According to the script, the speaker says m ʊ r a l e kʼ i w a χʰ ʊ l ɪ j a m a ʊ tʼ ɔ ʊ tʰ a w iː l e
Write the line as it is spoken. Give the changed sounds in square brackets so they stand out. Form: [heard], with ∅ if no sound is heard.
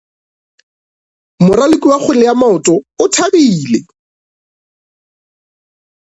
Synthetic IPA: m ʊ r a l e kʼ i w a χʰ ʊ l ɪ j a m a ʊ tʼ ɔ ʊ tʰ a [b] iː l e